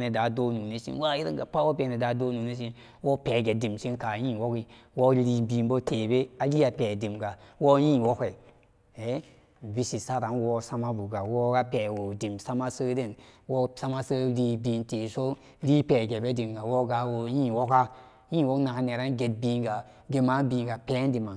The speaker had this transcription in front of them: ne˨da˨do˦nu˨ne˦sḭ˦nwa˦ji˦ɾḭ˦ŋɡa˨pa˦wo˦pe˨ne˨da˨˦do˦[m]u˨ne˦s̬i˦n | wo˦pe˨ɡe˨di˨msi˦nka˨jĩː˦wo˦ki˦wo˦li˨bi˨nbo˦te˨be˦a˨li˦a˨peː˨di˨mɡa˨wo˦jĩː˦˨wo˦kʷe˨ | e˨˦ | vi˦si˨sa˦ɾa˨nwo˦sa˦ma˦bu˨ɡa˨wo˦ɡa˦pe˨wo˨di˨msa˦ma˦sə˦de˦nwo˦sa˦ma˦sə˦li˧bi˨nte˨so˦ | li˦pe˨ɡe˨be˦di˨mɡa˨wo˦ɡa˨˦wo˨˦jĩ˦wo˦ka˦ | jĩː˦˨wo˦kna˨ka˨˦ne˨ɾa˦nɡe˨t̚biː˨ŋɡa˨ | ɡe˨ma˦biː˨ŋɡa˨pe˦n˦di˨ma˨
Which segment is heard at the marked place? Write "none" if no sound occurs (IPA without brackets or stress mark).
n